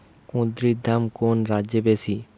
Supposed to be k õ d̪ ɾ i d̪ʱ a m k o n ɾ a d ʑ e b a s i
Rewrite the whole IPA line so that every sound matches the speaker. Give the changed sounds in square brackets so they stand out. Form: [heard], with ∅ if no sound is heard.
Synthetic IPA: k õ d̪ ɾ i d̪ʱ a m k o n ɾ a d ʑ e b [e] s i